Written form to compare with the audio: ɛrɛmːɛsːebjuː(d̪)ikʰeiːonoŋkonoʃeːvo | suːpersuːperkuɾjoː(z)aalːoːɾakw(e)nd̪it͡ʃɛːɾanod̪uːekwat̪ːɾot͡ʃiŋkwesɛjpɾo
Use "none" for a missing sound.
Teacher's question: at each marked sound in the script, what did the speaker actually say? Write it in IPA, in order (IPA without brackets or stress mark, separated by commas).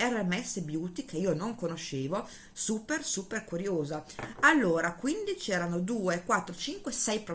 t̪, z, i